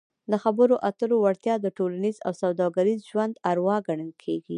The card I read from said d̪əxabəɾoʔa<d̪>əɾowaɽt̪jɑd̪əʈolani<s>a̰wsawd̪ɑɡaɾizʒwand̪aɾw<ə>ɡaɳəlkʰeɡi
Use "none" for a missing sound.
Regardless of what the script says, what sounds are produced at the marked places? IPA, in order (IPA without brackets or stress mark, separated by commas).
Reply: t̪, z, ɑ